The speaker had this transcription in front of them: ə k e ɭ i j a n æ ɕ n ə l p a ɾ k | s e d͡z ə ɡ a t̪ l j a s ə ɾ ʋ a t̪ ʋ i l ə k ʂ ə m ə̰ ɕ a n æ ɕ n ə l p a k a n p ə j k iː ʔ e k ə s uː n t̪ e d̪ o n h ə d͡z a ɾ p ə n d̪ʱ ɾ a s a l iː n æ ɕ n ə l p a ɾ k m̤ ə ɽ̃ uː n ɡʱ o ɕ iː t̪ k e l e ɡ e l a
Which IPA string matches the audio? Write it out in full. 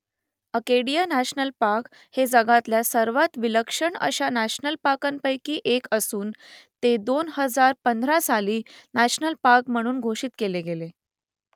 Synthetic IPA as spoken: ə k e ɽ i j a n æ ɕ n ə l p a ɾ k | h e d͡z ə ɡ a t̪ l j a s ə ɾ ʋ a t̪ ʋ i l ə k ʂ ə ɳ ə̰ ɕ a n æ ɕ n ə l p a k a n p ə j k iː ʔ e k ə s uː n t̪ e d̪ o n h ə d͡z a ɾ p ə n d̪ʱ ɾ a s a l iː n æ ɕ n ə l p a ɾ k m̤ ə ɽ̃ uː n ɡʱ o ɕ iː t̪ k e l e ɡ e l e